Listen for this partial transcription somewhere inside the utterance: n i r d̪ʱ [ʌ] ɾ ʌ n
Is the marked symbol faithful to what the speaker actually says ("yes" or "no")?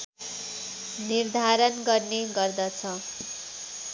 no